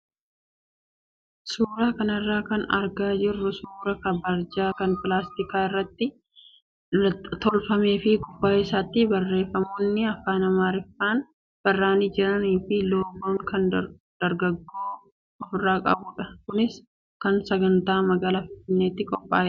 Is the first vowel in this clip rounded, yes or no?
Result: yes